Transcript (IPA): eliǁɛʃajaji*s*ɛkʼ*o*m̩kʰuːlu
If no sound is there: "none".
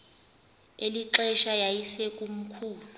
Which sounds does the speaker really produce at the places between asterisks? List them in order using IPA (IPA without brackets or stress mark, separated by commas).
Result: s, u